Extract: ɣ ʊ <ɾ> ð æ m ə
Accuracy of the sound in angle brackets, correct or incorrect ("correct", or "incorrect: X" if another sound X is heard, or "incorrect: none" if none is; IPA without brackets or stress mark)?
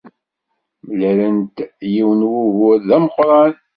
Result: correct